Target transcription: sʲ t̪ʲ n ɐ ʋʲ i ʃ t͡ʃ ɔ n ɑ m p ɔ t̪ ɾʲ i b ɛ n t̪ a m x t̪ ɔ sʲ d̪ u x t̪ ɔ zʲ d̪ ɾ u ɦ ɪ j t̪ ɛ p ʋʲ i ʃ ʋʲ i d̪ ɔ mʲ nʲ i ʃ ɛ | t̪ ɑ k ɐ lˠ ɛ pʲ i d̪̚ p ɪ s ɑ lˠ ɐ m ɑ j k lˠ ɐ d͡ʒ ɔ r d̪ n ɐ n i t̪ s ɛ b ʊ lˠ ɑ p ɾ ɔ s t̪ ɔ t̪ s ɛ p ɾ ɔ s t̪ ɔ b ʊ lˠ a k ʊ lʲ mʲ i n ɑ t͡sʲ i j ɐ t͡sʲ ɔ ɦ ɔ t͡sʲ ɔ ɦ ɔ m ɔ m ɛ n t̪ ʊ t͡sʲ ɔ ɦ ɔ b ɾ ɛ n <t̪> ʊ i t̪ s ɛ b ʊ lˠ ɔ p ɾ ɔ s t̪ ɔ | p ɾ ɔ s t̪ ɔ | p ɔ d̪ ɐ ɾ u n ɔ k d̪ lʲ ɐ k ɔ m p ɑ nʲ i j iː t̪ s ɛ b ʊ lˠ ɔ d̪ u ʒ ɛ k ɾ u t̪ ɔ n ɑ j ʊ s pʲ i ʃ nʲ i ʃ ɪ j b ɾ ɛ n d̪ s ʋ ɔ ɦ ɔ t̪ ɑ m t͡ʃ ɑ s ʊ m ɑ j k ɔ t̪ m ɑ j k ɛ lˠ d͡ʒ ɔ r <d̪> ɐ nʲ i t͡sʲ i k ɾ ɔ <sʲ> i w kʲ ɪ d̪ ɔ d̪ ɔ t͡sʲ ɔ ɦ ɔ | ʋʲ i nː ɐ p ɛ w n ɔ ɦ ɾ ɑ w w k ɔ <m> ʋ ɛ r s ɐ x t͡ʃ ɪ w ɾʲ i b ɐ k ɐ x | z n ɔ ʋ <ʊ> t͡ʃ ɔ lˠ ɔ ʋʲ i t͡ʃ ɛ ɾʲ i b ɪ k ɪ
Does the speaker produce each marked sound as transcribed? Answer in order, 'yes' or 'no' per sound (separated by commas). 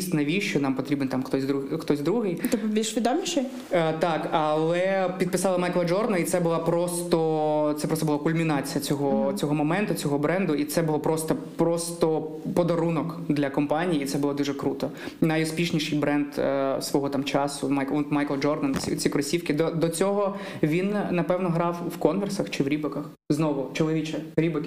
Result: no, yes, yes, no, yes